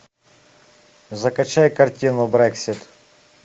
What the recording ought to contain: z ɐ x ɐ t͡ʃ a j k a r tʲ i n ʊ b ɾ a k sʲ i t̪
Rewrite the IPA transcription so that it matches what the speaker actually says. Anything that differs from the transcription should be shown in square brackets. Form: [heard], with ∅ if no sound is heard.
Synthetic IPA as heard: z ɐ [k] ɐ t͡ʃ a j k [ɐ] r tʲ i n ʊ b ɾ [ɛ] k sʲ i t̪